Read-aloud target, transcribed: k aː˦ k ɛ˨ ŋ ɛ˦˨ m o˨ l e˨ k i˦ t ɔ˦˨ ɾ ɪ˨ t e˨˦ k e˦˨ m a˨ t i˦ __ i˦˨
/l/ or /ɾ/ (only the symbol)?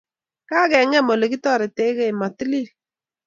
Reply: l